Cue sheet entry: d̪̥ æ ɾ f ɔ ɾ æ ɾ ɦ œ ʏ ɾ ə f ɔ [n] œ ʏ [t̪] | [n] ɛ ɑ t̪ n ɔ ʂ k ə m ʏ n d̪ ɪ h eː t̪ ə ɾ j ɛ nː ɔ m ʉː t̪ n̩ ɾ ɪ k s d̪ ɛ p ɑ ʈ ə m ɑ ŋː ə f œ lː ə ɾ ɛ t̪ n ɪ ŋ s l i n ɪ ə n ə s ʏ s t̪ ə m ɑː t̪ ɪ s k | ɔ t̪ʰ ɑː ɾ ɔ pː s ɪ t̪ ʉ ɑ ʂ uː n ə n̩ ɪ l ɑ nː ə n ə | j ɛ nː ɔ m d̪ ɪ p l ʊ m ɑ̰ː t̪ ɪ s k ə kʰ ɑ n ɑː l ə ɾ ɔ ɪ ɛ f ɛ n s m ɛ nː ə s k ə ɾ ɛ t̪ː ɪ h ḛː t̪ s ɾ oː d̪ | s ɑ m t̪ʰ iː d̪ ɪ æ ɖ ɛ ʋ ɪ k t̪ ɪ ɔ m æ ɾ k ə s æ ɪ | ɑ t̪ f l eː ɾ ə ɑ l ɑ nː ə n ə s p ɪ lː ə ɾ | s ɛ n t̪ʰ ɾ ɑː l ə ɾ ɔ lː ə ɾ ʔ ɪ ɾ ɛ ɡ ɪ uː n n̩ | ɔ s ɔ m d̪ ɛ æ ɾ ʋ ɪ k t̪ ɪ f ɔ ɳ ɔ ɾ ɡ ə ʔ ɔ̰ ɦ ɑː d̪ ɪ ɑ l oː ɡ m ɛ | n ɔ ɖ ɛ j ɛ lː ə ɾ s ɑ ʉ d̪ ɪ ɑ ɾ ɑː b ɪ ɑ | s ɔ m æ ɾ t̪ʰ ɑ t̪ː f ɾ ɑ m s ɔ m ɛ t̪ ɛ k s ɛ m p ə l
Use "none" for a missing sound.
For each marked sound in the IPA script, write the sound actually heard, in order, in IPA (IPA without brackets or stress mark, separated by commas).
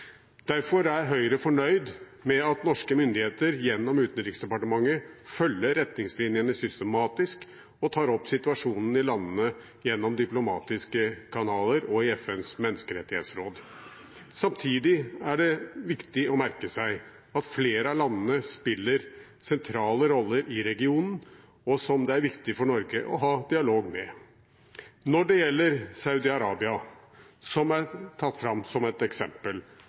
ɳ, d̪, m